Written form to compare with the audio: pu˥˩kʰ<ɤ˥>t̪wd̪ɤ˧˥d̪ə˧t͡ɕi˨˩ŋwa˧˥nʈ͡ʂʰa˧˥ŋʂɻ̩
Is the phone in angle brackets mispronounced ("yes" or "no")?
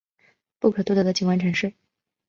yes